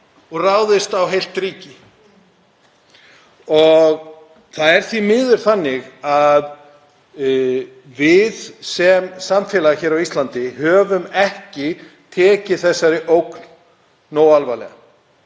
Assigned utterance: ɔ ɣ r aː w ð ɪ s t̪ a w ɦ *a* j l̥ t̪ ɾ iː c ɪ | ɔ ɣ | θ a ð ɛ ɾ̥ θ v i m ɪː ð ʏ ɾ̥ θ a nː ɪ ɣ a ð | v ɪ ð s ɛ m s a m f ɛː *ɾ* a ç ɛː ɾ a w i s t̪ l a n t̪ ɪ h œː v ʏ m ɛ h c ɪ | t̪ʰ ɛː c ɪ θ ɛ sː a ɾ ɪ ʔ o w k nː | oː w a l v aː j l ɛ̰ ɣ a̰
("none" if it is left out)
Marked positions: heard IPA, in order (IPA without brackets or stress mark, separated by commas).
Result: e, l